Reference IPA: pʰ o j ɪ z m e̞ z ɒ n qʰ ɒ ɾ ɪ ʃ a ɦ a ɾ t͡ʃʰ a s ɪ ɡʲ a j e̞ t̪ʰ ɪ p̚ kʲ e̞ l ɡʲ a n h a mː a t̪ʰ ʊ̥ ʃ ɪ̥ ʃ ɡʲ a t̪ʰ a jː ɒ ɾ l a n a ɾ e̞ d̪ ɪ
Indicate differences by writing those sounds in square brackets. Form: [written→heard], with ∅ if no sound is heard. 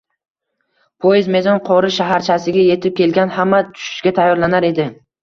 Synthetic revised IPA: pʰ o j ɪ z m e̞ z ɒ n qʰ ɒ ɾ ɪ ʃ a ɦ a ɾ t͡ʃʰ a s ɪ ɡʲ a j e̞ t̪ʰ ɪ p̚ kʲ e̞ l ɡʲ a n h a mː a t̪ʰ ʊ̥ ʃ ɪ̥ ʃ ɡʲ a t̪ʰ a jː ɒ ɾ l a n a ɾ e̞ d̪ ɪ

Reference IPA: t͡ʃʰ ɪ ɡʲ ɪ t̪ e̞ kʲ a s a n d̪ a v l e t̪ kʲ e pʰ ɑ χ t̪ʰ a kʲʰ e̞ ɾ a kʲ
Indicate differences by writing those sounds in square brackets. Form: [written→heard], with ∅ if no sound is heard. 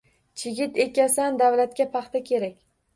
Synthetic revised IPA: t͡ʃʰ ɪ ɡʲ ɪ t̪ e̞ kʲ a s a n d̪ a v l [e→a] t̪ kʲ [e→a] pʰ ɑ χ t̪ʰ a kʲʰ e̞ ɾ a kʲ

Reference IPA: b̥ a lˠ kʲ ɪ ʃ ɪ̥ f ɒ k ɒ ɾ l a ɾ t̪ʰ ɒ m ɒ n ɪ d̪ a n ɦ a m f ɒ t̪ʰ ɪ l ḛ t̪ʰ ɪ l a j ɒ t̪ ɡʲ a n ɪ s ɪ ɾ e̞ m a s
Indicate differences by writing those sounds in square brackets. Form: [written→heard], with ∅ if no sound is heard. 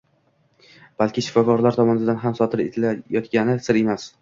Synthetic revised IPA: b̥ a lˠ kʲ ɪ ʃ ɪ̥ f ɒ k ɒ ɾ l a ɾ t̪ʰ ɒ m ɒ n ɪ d̪ a n ɦ a m [f→s] ɒ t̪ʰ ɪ [l→ɾ] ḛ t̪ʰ ɪ l a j ɒ t̪ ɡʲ a n ɪ s ɪ ɾ e̞ m a s

